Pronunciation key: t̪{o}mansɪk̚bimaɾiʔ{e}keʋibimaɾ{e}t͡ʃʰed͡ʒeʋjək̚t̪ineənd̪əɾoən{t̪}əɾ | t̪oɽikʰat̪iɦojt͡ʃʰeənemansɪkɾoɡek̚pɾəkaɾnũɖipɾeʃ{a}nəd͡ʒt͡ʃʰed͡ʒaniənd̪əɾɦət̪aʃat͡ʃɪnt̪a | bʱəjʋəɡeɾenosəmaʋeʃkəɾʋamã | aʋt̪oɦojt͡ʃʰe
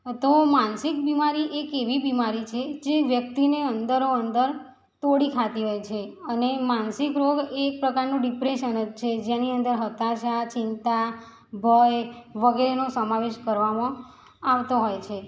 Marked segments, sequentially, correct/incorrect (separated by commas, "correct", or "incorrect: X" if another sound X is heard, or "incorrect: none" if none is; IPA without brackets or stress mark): correct, correct, incorrect: i, incorrect: d̪, incorrect: ə